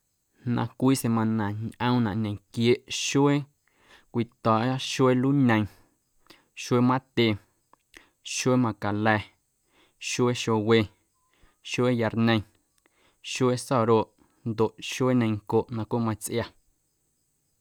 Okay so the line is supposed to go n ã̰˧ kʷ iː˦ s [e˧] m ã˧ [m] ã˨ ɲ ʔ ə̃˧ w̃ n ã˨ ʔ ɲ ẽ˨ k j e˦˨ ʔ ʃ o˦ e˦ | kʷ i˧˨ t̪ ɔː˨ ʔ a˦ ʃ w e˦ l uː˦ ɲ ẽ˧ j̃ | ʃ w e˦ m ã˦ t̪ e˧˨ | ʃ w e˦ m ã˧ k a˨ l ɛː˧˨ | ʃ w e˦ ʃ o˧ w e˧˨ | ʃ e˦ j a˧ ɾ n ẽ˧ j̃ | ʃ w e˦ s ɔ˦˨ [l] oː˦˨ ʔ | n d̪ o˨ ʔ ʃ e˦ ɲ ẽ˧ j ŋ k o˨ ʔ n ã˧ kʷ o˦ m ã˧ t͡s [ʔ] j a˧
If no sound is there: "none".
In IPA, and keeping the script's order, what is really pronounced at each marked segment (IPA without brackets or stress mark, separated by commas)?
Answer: e˧, n, ɾ, ʔ